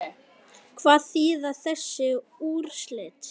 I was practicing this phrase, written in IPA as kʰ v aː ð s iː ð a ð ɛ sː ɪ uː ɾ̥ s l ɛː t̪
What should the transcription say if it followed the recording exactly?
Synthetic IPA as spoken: kʰ v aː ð θ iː ð a θ ɛ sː ɪ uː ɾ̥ s l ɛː t̪